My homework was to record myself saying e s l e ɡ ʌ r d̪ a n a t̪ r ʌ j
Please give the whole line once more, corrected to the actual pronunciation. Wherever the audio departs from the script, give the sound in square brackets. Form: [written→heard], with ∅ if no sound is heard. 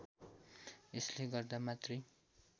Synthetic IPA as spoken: e s l e ɡ ʌ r d̪ a [n→m] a t̪ r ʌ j